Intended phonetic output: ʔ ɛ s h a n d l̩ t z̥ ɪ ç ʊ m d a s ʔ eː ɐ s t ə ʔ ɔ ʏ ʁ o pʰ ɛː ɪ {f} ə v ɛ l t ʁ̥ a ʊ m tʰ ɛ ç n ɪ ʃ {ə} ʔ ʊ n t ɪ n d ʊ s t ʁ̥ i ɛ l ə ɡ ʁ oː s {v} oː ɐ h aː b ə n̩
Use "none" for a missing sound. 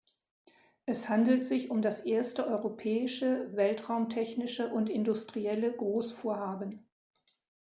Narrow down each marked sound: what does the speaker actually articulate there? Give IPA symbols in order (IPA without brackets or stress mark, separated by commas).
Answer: ʃ, ə, f